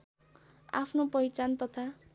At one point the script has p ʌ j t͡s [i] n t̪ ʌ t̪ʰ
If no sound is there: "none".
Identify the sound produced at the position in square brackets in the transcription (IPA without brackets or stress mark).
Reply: a